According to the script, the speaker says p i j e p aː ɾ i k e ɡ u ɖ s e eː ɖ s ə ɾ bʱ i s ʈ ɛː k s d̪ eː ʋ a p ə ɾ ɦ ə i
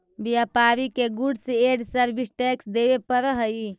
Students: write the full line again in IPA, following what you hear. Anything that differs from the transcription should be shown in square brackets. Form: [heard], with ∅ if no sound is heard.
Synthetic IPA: [b] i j [a] p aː ɾ i k e ɡ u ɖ s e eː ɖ s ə ɾ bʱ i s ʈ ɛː k s d̪ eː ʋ [e] p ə ɾ ɦ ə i